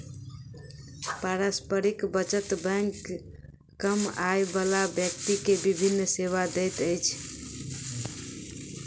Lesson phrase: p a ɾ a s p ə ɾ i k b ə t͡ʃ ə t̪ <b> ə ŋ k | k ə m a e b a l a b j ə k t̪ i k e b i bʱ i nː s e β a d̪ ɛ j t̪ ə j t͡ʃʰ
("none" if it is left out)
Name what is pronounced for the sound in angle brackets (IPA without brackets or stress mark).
b